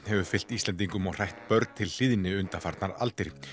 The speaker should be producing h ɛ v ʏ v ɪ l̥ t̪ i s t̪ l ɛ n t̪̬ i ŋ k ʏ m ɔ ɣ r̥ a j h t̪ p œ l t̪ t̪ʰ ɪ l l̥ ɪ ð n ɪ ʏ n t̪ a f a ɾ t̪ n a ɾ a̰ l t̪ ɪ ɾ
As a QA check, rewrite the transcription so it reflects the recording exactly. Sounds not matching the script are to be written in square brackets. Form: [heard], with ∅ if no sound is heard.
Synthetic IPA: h ɛ v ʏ [f] ɪ l̥ t̪ i s t̪ l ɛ n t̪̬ i ŋ k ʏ m ɔ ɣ r̥ a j h t̪ p œ [ɾ] t̪ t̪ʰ ɪ l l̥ ɪ ð n ɪ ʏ n t̪ a f a ɾ t̪ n a ɾ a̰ l t̪ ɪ ɾ

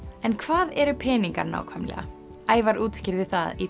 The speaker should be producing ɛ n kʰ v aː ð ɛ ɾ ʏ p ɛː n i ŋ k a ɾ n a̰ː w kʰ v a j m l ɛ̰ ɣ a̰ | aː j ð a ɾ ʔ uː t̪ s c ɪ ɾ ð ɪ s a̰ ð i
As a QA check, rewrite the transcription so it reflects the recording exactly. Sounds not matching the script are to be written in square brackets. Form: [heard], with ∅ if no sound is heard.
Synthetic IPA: ɛ n kʰ v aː ð ɛ ɾ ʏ [pʰ] ɛː n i ŋ k a ɾ n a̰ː w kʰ v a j m l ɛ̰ ɣ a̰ | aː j [v] a ɾ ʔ uː t̪ s c ɪ ɾ ð ɪ [θ] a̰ ð i

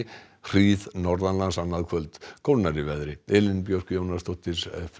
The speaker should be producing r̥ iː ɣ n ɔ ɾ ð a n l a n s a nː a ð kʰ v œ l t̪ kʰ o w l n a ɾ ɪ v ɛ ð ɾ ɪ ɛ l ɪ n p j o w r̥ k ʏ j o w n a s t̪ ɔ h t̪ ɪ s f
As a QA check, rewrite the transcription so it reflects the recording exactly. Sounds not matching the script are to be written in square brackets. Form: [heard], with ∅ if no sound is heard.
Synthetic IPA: r̥ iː [ð] n ɔ ɾ ð a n l a n s a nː a ð kʰ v œ l t̪ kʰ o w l n a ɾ ɪ v ɛ ð ɾ ɪ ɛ l ɪ n p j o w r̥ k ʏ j o w n a s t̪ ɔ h t̪ ɪ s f

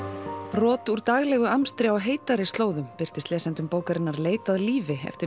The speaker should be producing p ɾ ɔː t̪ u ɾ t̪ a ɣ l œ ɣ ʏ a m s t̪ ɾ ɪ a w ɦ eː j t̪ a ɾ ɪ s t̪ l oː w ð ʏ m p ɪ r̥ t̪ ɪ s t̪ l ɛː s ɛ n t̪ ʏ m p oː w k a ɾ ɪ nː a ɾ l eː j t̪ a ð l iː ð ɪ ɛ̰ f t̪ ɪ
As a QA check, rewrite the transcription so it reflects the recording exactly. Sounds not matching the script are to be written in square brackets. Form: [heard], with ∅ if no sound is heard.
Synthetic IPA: p ɾ ɔː t̪ u ɾ t̪ a ɣ l [ɛ] ɣ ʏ a m s t̪ ɾ ɪ a w ɦ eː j t̪ a ɾ ɪ s t̪ l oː w ð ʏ m p ɪ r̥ t̪ ɪ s t̪ l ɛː s ɛ n t̪ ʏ m p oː w k a ɾ ɪ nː a ɾ l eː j t̪ a ð l iː [v] ɪ ɛ̰ f t̪ ɪ

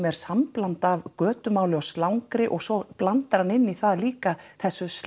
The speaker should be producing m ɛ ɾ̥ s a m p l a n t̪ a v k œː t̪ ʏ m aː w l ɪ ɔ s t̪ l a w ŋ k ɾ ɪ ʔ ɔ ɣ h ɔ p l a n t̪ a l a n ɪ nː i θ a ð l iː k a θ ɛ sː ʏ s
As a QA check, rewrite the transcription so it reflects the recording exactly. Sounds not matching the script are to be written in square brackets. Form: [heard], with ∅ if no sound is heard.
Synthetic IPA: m ɛ ɾ̥ s a m p l a n t̪ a v k œː t̪ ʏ m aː w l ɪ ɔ s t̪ l a w ŋ k ɾ ɪ ʔ ɔ ɣ [s] ɔ p l a n t̪ a [ɾ] a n ɪ nː i θ a ð l iː k a θ ɛ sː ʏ s

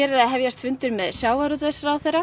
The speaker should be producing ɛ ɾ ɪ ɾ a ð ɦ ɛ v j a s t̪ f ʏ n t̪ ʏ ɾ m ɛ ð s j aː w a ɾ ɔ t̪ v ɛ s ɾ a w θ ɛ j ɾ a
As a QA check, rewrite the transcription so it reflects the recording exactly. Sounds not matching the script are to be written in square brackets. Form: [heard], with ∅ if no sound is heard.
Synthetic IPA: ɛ ɾ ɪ ɾ a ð ɦ ɛ v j a s t̪ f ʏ n t̪ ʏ ɾ m ɛ ð s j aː w a ɾ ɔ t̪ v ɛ s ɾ a w θ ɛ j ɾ a

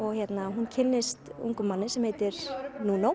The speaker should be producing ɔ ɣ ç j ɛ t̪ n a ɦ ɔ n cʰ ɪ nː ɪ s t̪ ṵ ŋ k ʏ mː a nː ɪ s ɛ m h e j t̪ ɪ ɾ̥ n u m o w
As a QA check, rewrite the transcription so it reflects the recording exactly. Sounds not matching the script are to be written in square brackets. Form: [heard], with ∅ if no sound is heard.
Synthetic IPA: ɔ ɣ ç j ɛ t̪ n a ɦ [u] n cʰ ɪ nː ɪ s t̪ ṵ ŋ k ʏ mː a nː ɪ s ɛ m h e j t̪ ɪ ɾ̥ n u [n] o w

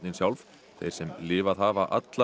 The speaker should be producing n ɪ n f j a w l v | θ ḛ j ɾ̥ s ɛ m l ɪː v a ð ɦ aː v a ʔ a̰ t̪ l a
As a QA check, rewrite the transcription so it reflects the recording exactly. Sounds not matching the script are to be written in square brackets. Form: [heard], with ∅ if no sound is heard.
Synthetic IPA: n ɪ n [s] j a w l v | θ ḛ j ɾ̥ s ɛ m l ɪː v a ð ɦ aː v a ʔ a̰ t̪ l a

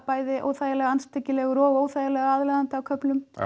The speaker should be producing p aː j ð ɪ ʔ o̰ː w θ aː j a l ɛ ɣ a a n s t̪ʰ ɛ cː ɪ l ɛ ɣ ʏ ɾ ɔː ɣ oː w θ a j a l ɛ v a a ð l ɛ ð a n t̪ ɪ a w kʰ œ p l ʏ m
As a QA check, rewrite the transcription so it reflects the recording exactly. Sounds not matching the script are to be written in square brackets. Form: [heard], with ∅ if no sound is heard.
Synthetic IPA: p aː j ð ɪ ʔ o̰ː w θ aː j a l ɛ ɣ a a n s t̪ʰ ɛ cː ɪ l ɛ ɣ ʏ ɾ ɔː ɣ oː w θ a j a l ɛ [ɣ] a a ð l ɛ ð a n t̪ ɪ a w kʰ œ p l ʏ m

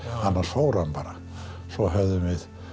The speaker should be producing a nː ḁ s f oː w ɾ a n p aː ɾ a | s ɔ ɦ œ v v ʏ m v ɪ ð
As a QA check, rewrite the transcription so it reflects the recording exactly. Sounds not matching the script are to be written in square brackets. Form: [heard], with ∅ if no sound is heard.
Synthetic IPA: a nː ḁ s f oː w ɾ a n p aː ɾ a | s ɔ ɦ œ v [ð] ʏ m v ɪ ð

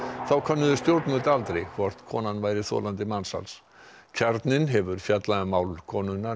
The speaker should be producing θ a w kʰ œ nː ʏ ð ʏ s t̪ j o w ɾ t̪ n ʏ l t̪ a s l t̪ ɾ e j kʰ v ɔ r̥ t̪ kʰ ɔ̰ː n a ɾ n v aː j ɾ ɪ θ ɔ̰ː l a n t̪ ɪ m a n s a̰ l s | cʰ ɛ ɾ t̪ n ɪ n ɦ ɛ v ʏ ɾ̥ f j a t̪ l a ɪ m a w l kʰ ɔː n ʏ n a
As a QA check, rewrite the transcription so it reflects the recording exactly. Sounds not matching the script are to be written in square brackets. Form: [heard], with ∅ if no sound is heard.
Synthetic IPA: θ a w kʰ œ nː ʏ ð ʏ s t̪ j o w ɾ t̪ [m] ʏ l t̪ a [∅] l t̪ ɾ e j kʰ v ɔ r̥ t̪ kʰ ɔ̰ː n a [∅] n v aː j ɾ ɪ θ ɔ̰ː l a n t̪ ɪ m a n s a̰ l s | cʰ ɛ ɾ t̪ n ɪ n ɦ ɛ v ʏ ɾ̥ f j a t̪ l a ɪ m a w l kʰ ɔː n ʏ n a

